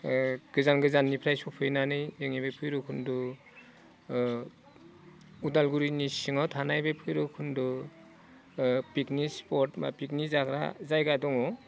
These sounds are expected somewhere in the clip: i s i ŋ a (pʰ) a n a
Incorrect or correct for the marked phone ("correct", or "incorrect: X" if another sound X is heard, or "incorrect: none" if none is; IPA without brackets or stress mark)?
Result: incorrect: tʰ